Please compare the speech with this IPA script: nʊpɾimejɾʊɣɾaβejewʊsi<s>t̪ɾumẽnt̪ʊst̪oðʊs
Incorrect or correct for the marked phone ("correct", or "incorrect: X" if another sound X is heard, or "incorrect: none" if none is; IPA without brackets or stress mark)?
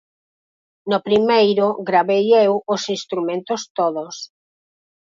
correct